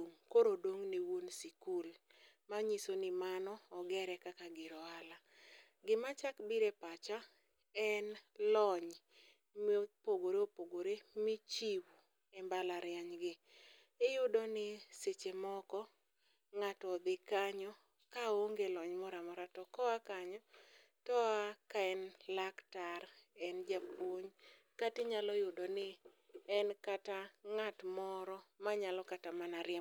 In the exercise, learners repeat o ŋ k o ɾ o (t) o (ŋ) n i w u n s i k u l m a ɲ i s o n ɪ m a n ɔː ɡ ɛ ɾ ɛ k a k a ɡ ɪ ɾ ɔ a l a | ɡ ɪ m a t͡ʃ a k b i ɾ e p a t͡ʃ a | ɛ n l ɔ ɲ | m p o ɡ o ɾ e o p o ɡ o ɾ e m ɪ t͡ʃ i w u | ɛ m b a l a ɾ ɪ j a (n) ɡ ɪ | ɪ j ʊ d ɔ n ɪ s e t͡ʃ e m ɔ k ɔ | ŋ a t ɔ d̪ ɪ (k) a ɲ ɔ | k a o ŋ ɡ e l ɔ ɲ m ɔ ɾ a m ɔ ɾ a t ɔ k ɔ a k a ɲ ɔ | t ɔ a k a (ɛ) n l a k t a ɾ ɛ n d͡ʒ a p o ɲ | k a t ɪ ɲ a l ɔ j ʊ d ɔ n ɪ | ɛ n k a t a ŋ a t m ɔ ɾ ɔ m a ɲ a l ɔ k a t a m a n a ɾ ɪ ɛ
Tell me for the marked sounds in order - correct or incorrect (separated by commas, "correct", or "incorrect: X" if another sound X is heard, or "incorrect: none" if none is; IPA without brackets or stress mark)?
incorrect: d, correct, incorrect: ɲ, correct, correct